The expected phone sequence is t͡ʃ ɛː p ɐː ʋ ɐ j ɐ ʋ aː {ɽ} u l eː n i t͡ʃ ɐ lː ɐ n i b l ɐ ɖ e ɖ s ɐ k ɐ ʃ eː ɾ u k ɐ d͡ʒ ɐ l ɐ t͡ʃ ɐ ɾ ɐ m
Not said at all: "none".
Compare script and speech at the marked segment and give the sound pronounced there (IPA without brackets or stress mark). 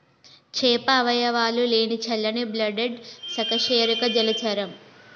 l